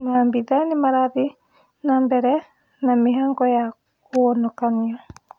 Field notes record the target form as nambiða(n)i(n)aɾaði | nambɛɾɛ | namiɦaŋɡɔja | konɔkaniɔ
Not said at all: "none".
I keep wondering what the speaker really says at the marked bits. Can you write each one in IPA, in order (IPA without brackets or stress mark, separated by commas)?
n, m